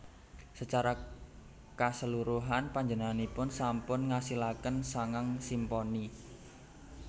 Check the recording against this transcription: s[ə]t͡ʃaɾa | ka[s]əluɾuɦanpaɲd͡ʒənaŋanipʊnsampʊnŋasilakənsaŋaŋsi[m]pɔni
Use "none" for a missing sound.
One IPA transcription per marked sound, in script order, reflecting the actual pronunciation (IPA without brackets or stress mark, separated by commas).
ə, s, m